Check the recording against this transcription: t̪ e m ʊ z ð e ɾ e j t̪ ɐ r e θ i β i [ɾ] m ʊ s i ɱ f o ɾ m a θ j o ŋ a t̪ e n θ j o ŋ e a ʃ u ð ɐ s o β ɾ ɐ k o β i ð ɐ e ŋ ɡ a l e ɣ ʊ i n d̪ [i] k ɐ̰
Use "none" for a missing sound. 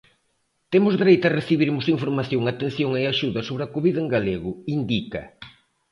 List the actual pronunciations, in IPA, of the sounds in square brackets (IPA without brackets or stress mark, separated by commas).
ɾ, i